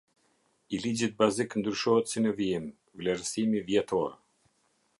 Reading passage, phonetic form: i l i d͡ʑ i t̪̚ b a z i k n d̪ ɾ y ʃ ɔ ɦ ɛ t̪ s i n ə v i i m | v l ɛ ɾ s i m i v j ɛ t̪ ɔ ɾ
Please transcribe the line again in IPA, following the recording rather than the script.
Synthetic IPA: i l i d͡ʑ i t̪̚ b a z i k n d̪ ɾ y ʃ ɔ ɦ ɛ t̪ s i n ə v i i m | v l ɛ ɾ s i m i v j ɛ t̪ ɔ ɾ